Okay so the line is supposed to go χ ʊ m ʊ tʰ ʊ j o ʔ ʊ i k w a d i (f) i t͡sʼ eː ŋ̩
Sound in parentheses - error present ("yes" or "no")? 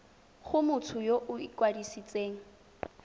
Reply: yes